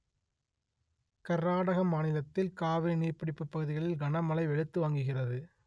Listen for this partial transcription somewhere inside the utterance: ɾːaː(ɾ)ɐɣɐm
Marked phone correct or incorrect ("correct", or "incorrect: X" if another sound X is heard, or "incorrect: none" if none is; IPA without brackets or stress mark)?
incorrect: ɽ